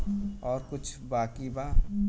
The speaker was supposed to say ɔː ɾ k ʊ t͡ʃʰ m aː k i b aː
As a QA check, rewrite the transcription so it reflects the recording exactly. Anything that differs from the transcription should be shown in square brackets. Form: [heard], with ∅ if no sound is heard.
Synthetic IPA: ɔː ɾ k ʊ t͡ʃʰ [b] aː k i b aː